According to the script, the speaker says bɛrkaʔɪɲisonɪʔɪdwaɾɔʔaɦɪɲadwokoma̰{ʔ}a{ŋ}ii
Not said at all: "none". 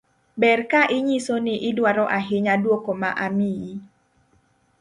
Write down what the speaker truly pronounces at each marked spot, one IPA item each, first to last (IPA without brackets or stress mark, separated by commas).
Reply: ʔ, m